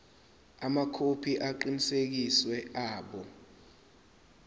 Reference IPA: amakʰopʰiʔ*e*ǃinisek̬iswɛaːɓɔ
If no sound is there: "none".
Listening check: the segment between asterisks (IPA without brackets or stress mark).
a